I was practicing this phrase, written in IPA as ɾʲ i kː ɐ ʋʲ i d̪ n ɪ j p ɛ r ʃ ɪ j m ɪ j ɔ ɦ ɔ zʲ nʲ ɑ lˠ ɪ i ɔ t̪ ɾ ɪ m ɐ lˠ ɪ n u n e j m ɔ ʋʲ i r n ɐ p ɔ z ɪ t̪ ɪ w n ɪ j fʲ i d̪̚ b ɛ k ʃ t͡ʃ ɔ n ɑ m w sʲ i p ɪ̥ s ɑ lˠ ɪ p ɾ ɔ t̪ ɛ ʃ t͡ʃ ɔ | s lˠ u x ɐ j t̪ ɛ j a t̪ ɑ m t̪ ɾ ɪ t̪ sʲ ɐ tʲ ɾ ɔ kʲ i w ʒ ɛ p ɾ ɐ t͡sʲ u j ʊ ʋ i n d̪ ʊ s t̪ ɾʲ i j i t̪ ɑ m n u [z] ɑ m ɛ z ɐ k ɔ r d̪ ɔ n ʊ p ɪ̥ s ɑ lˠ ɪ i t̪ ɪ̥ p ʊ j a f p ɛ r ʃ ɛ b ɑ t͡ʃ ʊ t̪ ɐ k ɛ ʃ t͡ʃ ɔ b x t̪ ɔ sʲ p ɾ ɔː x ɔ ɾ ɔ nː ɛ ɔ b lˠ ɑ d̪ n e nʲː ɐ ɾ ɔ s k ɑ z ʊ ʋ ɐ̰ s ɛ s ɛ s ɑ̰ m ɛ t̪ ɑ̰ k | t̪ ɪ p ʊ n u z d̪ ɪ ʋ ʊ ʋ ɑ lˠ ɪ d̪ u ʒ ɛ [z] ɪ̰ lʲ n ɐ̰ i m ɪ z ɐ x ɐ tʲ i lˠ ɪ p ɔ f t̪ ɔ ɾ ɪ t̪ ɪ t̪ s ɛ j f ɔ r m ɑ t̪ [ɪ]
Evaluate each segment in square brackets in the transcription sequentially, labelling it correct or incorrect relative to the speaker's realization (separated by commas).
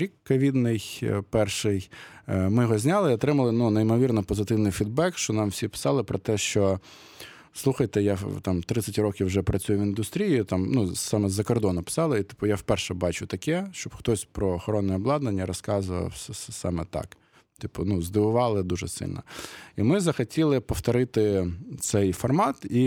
incorrect, incorrect, incorrect